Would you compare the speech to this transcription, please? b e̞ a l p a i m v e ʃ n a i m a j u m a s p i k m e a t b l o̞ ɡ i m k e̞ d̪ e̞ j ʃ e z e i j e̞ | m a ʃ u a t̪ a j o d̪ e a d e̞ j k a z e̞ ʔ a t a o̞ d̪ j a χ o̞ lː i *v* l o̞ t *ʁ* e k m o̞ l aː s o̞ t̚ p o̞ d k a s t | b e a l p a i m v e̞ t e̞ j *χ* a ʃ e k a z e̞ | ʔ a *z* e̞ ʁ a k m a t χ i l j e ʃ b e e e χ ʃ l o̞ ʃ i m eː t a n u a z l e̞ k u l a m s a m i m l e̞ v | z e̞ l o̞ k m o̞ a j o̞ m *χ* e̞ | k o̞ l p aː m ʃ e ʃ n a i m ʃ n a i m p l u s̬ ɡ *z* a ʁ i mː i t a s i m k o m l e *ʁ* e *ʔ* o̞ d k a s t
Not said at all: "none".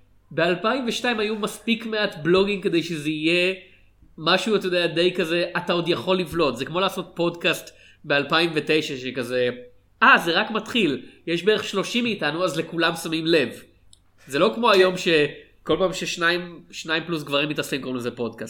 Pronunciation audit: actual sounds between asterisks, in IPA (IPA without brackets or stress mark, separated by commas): v, z, ʃ, z, ʃ, v, z, p